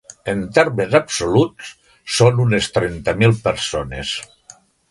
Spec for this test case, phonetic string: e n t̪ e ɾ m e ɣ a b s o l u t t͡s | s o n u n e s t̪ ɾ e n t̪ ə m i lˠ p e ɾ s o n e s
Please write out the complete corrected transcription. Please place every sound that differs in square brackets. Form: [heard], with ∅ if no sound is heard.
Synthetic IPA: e n t̪ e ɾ m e [z] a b s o l u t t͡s | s o n u n e s t̪ ɾ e n t̪ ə m i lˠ p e ɾ s o n e s